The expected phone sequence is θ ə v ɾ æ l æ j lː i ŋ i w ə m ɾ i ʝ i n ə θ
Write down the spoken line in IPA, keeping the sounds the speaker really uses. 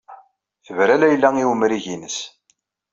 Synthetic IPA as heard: θ ə v ɾ æ l æ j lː æ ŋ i w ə m ɾ i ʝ i n ə s